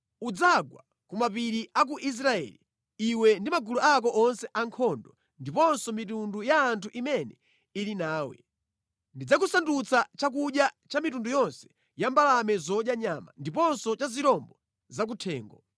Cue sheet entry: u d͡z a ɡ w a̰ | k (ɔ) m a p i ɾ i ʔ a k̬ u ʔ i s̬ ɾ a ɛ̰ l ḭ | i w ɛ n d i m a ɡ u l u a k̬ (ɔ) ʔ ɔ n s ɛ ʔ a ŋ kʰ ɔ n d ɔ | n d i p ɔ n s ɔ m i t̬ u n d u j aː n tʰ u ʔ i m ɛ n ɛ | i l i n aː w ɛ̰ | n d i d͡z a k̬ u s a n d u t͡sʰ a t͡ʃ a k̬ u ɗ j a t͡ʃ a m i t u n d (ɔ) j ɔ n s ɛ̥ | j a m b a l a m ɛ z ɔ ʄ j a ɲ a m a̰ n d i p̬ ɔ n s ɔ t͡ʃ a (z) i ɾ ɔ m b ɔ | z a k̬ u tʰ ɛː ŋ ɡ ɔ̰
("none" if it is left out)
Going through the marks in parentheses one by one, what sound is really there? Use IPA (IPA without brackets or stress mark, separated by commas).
u, ɔ, u, z